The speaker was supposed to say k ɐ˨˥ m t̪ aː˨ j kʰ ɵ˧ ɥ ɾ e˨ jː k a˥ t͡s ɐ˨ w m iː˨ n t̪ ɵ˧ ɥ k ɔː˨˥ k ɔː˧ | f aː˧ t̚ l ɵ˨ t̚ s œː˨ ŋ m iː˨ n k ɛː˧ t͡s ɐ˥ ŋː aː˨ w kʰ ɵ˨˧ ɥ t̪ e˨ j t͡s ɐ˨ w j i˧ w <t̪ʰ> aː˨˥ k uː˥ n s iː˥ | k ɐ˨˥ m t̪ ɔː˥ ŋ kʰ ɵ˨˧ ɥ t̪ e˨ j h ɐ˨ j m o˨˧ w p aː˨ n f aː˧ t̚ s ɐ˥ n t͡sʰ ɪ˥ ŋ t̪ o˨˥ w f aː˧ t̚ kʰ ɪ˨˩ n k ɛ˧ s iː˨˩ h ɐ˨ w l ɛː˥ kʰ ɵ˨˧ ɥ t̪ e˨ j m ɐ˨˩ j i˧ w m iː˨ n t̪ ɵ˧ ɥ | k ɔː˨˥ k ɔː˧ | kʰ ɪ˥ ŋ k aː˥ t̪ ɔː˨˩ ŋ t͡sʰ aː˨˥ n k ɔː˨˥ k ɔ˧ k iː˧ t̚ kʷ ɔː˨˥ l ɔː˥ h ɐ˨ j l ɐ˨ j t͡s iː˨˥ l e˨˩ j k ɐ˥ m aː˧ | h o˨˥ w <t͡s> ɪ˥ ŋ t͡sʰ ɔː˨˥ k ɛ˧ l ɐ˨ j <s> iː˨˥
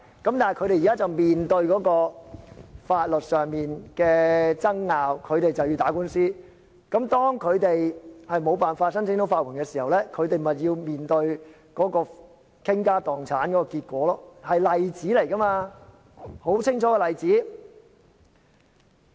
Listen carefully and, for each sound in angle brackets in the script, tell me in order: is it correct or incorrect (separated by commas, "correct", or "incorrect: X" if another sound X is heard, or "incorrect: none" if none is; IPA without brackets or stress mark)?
incorrect: t̪, incorrect: t͡sʰ, incorrect: t͡s